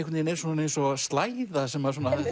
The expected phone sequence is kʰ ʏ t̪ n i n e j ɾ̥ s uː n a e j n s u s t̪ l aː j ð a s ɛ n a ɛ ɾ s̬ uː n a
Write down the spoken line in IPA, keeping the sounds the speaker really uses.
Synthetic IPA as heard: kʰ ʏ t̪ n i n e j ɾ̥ s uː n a e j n s ɔ s t̪ l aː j ð a s ɛ m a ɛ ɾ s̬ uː n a